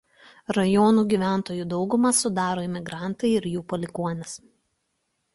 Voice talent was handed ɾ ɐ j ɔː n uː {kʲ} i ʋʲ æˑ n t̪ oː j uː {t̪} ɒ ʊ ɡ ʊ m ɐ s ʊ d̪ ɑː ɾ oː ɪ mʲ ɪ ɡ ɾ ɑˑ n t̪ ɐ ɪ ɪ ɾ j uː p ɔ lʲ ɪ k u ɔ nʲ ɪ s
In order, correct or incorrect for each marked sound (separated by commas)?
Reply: incorrect, incorrect